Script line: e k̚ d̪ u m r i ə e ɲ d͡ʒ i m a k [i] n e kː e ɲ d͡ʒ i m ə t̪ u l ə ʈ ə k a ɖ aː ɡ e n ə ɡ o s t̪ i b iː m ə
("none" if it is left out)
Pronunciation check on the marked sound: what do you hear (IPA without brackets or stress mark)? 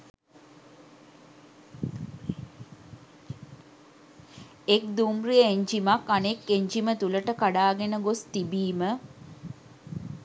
a